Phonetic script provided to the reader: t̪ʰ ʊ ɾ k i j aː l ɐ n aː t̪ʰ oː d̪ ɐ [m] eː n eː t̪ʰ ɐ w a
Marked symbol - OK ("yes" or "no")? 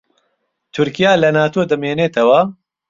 yes